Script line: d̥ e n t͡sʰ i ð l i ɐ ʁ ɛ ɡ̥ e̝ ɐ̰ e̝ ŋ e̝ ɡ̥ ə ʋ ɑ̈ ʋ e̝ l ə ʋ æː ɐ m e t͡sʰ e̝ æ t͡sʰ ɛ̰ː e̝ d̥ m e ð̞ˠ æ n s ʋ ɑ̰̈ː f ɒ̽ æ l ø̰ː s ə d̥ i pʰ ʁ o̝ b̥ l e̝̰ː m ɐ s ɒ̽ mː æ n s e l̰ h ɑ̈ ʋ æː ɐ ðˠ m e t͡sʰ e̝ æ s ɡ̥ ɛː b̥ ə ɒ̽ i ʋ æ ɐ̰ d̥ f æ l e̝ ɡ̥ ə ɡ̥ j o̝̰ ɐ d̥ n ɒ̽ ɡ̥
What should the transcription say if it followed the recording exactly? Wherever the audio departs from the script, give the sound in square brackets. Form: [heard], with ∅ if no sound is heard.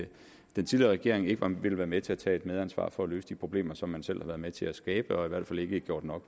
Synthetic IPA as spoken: d̥ e n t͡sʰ i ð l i ɐ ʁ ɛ ɡ̥ e̝ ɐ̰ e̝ ŋ e̝ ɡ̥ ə ʋ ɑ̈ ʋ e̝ l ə ʋ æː ɐ m e t͡sʰ e̝ æ t͡sʰ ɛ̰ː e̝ d̥ m e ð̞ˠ æ n s ʋ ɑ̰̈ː f ɒ̽ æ l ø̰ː s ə d̥ i pʰ ʁ o̝ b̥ l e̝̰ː m ɐ s ɒ̽ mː æ n s e l̰ h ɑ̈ ʋ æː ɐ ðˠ m e t͡sʰ e̝ æ s ɡ̥ ɛː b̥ ə ɒ̽ i ʋ æ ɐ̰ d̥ f æ l e̝ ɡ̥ ə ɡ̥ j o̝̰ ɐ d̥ n ɒ̽ ɡ̥